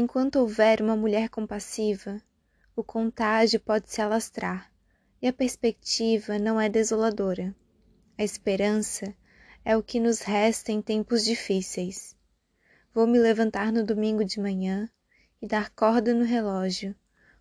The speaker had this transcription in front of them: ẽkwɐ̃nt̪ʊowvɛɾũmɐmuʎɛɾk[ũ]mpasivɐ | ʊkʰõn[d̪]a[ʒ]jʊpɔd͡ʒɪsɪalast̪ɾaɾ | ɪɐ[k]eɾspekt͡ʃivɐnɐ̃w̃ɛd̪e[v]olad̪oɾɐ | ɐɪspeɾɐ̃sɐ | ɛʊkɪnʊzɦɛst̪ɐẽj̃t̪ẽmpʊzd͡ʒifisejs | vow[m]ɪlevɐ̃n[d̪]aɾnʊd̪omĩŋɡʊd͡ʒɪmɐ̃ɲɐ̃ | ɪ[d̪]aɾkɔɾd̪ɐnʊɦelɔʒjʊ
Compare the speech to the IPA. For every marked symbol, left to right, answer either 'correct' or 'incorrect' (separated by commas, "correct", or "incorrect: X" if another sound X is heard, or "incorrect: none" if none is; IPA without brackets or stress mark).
incorrect: õ, incorrect: t̪, correct, incorrect: p, incorrect: z, correct, incorrect: t̪, correct